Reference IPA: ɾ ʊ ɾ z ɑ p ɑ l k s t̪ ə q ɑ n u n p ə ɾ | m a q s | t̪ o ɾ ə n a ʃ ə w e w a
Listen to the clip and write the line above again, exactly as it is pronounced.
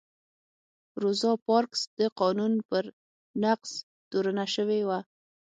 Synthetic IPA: ɾ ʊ z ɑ p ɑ ɾ k s d̪ ə q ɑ n u n p ə ɾ | n a q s | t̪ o ɾ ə n a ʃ ə w e w a